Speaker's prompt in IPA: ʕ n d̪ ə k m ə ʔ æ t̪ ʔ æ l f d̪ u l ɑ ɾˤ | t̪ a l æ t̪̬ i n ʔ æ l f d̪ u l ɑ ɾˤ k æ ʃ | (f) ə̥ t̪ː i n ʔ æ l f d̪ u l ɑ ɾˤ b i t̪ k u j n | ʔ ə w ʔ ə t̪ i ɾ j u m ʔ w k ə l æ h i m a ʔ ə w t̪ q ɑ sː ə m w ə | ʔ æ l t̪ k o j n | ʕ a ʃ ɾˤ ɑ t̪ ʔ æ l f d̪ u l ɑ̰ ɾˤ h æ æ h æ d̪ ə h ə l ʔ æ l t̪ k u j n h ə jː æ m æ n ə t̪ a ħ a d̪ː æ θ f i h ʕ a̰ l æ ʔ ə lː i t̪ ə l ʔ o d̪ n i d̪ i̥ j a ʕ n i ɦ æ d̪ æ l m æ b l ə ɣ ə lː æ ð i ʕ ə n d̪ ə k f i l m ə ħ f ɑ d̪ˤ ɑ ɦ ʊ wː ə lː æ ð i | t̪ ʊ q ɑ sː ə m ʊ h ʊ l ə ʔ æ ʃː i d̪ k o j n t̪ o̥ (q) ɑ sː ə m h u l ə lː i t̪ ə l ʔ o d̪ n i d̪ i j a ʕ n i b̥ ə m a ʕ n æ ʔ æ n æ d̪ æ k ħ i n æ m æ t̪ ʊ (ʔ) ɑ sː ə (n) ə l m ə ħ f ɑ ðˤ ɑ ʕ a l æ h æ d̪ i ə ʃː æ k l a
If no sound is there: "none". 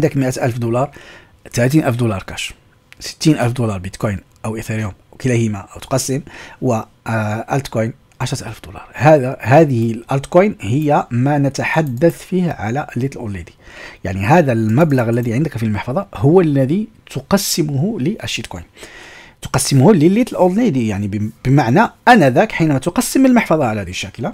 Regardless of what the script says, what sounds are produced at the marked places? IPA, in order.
s, q, q, m

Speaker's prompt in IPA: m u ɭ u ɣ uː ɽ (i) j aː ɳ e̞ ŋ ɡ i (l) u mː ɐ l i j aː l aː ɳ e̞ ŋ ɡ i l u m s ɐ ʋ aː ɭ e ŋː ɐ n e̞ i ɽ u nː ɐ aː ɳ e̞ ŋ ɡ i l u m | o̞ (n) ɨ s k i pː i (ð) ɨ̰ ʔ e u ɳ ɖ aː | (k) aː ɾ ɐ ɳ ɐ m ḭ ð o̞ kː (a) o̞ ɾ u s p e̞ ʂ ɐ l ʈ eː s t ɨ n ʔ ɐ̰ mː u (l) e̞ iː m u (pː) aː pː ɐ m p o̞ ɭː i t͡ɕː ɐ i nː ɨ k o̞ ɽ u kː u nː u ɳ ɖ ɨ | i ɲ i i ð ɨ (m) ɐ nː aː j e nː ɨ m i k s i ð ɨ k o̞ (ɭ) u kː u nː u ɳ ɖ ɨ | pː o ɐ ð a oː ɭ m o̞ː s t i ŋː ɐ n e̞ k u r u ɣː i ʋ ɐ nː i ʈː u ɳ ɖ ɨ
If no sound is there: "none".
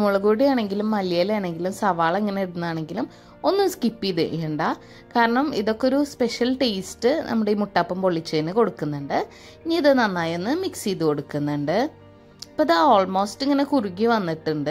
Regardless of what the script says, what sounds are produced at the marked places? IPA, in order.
i, l, nː, ð, k, e, ɽ, ʈː, n, ɽ

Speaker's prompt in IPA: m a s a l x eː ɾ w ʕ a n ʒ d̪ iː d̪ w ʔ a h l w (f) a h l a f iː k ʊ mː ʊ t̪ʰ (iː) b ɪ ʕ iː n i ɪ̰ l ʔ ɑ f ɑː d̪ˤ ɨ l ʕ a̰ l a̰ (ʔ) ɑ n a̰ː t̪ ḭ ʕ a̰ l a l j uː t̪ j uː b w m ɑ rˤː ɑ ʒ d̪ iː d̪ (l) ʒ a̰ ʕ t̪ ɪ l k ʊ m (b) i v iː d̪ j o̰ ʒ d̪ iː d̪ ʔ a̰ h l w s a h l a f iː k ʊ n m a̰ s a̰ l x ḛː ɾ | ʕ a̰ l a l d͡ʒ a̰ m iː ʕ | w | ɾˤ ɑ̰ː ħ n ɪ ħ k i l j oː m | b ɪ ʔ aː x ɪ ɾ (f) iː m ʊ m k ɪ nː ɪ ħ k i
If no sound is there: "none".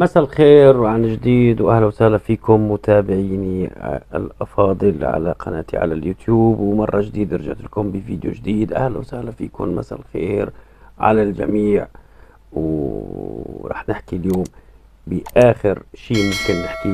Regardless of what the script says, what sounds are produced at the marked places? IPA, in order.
s, aː, q, ɾ, b, ʃ

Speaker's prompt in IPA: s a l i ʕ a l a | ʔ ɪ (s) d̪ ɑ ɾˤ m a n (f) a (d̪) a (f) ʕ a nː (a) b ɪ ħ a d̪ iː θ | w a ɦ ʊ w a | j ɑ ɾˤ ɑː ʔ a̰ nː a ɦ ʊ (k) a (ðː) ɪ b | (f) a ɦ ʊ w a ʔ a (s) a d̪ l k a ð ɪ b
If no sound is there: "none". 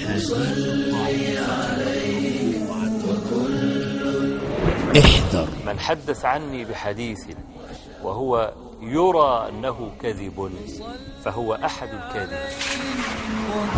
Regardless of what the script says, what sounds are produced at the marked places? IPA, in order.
ħ, ħ, d̪ː, θ, i, k, ð, f, ħ

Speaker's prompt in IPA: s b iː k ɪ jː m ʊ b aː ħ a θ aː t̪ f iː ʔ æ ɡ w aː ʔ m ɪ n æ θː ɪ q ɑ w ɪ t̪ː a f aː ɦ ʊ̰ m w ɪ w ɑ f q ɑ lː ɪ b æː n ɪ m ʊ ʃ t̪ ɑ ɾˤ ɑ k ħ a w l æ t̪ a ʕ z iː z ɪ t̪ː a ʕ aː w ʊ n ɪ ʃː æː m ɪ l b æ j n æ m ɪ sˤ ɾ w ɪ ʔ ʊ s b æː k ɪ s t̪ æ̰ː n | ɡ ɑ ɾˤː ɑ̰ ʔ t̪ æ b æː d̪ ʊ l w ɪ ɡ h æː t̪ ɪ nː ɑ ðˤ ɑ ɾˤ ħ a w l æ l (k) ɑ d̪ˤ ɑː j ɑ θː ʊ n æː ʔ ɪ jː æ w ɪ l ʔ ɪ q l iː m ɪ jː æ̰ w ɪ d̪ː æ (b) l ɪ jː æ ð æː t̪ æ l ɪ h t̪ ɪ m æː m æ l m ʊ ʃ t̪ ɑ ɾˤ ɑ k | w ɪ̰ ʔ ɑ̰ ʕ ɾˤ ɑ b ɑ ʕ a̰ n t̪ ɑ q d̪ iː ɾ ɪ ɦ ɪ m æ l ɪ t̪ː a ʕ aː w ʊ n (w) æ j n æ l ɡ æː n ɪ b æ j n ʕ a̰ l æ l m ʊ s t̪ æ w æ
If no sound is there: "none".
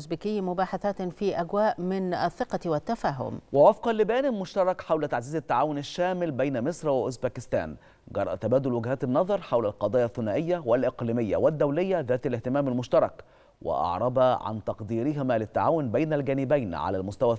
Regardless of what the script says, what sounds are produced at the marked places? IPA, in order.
q, w, b

